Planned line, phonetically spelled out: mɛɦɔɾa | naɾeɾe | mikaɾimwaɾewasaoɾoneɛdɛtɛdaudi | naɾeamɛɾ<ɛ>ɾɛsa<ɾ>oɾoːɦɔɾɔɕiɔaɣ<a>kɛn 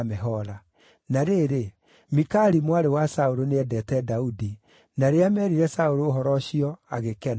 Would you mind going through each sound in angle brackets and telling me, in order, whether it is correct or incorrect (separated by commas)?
incorrect, incorrect, incorrect